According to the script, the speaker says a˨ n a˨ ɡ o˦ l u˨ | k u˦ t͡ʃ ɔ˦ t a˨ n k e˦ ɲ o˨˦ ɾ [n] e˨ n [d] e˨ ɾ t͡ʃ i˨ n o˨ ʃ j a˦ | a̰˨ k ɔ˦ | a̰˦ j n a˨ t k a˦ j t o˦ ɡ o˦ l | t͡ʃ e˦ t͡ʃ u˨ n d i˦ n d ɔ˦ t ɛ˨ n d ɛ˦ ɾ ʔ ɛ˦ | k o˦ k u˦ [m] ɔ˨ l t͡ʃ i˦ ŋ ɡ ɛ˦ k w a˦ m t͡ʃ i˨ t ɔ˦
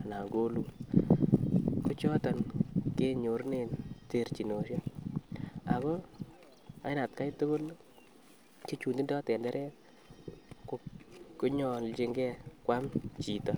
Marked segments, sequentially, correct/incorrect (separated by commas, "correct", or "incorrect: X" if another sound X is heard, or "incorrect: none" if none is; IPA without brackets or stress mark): correct, incorrect: t, incorrect: ɲ